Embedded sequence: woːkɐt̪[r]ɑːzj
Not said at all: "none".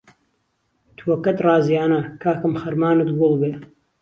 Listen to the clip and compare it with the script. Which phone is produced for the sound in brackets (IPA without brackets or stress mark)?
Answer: r